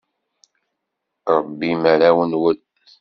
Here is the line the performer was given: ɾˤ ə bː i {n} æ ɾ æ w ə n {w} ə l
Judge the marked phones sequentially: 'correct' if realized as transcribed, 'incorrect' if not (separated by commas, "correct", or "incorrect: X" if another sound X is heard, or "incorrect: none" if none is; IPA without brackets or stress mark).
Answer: incorrect: m, correct